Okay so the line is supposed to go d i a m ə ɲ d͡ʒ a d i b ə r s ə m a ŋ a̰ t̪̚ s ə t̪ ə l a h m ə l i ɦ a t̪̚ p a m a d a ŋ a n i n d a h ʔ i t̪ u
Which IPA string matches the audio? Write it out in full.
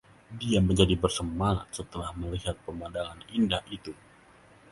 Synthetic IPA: d i a m ə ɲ d͡ʒ a d i b ə r s ə m a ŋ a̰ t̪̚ s ə t̪ ə l a h m ə l i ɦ a t̪̚ p ə m a d a ŋ a n i n d a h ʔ i t̪ u